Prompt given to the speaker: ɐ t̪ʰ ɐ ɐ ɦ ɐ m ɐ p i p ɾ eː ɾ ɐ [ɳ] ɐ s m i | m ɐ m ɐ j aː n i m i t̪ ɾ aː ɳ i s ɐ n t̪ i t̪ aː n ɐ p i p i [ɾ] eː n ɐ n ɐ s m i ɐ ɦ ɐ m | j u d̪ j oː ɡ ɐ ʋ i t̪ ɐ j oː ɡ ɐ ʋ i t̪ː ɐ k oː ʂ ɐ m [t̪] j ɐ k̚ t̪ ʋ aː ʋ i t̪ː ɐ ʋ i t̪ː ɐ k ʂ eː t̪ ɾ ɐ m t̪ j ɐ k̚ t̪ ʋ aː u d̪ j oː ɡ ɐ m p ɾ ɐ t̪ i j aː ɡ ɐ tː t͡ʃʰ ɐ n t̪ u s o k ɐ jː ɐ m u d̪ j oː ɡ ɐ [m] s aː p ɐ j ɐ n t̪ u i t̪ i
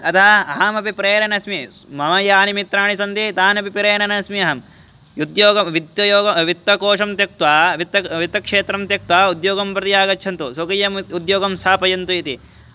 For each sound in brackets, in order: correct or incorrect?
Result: incorrect: n, correct, correct, correct

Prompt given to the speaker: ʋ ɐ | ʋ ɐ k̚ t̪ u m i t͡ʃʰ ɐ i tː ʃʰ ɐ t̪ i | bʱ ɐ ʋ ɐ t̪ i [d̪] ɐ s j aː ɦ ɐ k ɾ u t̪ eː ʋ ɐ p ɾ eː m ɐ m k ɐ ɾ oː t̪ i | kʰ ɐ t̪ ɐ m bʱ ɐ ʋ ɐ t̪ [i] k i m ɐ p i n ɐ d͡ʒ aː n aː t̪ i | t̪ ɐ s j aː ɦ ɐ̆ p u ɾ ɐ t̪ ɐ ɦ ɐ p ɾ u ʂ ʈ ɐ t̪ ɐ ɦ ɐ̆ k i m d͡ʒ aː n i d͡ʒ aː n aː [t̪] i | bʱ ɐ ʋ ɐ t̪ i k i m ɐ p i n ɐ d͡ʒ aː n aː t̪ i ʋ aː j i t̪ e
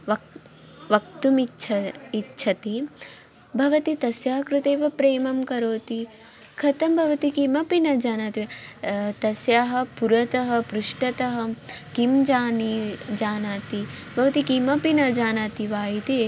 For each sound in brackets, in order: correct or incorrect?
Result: incorrect: t̪, correct, correct

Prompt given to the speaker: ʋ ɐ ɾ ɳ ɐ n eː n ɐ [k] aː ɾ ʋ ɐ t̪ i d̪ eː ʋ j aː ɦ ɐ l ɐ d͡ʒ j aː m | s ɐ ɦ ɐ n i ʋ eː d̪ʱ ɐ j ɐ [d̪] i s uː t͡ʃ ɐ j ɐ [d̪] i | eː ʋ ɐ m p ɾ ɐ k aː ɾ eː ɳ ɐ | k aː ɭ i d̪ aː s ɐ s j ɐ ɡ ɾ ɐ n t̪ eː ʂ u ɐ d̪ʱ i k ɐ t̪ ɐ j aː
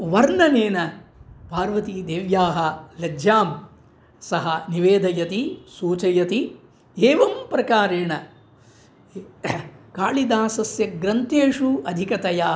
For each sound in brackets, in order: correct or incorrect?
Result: incorrect: p, incorrect: t̪, incorrect: t̪

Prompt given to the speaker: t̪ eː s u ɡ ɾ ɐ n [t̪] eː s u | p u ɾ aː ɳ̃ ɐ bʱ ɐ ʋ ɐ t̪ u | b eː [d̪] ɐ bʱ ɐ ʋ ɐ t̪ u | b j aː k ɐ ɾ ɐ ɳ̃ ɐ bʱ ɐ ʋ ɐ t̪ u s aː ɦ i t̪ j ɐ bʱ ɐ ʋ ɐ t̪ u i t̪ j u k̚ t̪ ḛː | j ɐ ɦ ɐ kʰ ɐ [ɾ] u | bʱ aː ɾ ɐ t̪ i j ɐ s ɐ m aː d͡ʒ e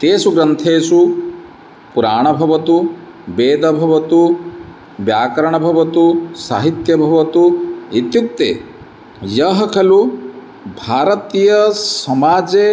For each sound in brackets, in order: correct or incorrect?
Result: incorrect: t̪ʰ, correct, incorrect: l

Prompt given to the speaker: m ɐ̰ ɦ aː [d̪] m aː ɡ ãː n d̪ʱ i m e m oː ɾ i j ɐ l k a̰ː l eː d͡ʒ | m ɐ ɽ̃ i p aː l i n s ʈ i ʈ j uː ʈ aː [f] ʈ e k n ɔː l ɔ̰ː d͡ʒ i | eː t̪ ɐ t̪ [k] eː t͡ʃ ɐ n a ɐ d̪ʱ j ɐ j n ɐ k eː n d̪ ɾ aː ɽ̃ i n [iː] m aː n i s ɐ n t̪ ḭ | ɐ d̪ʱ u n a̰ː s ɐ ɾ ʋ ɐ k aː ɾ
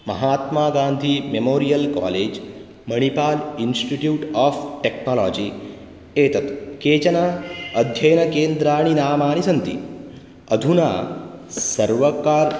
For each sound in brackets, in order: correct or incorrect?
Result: incorrect: t̪, correct, correct, incorrect: aː

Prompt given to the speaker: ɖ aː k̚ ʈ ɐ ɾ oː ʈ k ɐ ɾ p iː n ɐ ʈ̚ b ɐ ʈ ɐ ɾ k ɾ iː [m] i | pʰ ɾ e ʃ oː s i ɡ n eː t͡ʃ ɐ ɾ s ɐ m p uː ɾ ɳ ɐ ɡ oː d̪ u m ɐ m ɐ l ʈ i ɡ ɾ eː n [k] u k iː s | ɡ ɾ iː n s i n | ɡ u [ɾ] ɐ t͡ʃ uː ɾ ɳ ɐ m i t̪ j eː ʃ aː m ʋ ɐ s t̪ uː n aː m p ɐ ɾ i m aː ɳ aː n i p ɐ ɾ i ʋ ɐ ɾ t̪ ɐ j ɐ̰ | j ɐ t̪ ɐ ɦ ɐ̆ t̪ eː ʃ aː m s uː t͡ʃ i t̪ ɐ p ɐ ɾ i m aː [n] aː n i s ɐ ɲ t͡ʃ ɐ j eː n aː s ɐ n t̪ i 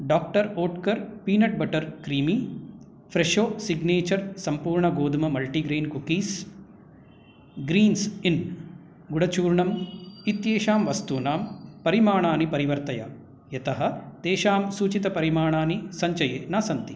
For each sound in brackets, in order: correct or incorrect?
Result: correct, correct, incorrect: ɽ, incorrect: ɳ

